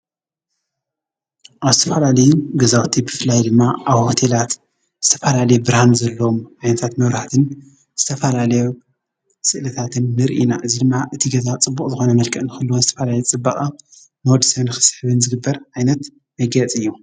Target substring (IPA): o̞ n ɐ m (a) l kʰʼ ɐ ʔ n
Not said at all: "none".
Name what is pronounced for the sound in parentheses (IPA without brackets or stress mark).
ɐ